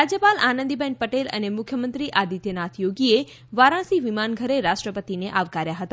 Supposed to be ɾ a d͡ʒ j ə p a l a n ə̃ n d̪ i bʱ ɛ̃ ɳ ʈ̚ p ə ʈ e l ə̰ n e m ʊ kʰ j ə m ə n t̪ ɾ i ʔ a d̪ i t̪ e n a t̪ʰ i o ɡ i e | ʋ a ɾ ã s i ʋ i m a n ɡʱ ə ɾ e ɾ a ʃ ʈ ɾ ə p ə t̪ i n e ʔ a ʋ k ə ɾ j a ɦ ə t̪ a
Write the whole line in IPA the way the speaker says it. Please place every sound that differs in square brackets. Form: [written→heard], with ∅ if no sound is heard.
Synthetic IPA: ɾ a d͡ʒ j ə p a l a n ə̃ n d̪ i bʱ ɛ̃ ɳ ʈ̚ p ə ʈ e l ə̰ n e m ʊ kʰ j ə m ə n t̪ ɾ i ʔ a d̪ i t̪ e n a t̪ʰ [i→j] o ɡ i e | ʋ a ɾ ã s i ʋ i m a n ɡʱ ə ɾ e ɾ a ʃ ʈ ɾ ə p ə t̪ i n e ʔ a ʋ k [ə→a] ɾ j a ɦ ə t̪ a